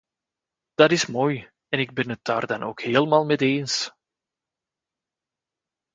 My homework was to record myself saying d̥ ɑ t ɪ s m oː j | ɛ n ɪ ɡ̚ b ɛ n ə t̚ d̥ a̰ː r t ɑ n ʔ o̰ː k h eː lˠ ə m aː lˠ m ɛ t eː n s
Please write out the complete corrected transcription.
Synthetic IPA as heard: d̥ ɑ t ɪ s m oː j | ɛ n ɪ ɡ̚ b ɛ n ə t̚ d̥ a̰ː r d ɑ n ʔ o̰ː k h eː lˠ ə m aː lˠ m ɛ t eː n s